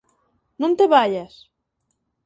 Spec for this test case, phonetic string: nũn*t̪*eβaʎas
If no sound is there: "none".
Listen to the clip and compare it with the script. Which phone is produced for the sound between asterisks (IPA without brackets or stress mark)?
t̪